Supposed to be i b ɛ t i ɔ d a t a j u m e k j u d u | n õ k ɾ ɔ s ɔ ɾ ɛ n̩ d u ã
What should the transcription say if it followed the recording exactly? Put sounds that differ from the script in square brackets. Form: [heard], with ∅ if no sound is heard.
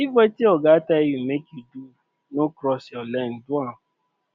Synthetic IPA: i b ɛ t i ɔ [ɡ] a t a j u m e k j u d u | n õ k ɾ ɔ s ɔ [l] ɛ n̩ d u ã